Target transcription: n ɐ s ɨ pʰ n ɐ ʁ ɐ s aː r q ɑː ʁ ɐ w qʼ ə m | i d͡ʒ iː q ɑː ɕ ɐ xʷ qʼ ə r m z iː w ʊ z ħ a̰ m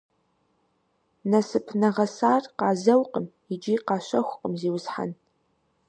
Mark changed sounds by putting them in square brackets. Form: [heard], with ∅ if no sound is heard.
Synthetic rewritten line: n ɐ s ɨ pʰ n ɐ ʁ ɐ s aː r q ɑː [z] ɐ w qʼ ə m | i d͡ʒ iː q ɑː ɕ ɐ xʷ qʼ ə [∅] m z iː w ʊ z ħ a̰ [n]

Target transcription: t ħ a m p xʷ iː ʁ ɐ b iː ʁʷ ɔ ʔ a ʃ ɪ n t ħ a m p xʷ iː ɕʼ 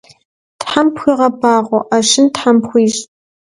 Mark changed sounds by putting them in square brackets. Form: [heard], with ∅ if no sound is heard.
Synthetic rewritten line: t ħ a m p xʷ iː ʁ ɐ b [aː] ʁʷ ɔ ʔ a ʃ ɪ n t ħ a m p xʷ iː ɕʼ

